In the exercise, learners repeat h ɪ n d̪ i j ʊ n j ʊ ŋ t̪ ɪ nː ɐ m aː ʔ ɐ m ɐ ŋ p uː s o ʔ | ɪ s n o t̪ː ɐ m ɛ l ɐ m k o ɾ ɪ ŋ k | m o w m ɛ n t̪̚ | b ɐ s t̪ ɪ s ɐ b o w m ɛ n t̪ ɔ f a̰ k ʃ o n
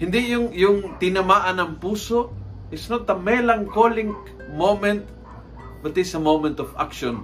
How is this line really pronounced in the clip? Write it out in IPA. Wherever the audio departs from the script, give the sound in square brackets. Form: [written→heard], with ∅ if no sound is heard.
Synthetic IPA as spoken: h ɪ n d̪ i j ʊ [n→ŋ] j ʊ ŋ t̪ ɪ [nː→n] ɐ m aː ʔ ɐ [m→n] ɐ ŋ p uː s o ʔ | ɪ s n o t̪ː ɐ m ɛ l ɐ [m→ŋ] k o [ɾ→l] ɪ ŋ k | m o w m ɛ n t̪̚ | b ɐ [s→∅] t̪ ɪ s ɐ [b→m] o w m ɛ n t̪ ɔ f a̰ k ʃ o n